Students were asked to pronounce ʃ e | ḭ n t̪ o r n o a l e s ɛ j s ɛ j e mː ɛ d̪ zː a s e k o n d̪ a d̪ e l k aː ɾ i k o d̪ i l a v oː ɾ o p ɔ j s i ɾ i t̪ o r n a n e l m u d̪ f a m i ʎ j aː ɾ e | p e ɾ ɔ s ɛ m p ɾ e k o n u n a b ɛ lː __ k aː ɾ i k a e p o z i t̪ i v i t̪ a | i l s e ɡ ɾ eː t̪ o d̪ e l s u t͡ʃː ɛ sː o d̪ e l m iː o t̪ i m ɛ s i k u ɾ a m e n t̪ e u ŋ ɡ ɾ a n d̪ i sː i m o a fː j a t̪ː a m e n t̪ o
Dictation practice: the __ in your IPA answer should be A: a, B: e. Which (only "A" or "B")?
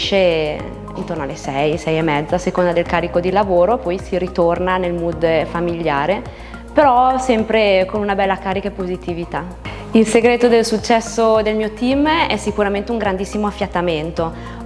A